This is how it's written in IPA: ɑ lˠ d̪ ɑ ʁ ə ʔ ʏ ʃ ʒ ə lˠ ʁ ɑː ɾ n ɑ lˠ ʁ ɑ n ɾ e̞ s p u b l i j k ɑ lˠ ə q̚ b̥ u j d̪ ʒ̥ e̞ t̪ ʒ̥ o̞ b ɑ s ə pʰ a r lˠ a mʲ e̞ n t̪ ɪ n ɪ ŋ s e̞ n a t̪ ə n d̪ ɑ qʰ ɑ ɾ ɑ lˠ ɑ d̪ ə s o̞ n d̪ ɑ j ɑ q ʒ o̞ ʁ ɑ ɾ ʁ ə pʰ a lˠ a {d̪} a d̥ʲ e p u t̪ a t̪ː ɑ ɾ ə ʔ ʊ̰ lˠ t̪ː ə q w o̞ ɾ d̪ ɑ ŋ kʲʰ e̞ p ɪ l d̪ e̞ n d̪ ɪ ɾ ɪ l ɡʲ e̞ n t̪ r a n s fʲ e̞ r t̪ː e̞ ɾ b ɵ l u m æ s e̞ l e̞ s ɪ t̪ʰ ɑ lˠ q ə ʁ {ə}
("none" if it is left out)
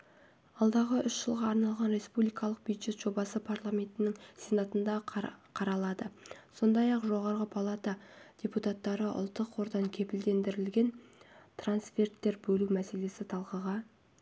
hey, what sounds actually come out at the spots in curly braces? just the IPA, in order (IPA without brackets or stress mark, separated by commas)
t̪, ɑ